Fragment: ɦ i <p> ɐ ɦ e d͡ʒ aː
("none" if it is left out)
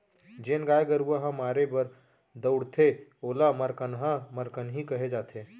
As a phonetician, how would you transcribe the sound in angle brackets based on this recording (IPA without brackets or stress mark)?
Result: k